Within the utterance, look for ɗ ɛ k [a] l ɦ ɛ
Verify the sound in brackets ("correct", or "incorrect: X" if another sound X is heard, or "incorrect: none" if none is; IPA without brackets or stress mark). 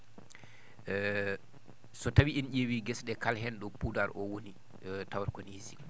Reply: correct